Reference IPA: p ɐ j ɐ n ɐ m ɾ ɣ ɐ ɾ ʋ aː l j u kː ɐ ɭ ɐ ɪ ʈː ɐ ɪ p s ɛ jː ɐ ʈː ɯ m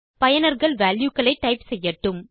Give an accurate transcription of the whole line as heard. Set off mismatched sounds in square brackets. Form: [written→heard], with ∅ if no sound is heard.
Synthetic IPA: p ɐ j ɐ n ɐ [m→∅] ɾ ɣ ɐ [ɾ→ɭ] ʋ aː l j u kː ɐ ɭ ɐ ɪ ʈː ɐ ɪ p s ɛ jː ɐ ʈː ɯ m